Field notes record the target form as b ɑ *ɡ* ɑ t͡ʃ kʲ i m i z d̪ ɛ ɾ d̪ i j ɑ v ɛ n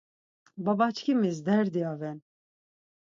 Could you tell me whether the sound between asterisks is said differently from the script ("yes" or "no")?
yes